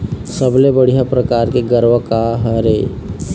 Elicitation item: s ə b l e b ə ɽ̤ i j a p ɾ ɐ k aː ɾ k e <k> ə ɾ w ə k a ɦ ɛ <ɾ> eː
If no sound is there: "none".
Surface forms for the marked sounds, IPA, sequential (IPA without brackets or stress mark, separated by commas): ɡ, ɾ